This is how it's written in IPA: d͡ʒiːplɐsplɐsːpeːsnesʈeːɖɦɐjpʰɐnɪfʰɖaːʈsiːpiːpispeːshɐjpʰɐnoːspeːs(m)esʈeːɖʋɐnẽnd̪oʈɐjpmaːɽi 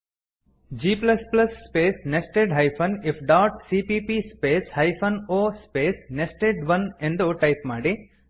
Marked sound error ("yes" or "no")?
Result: yes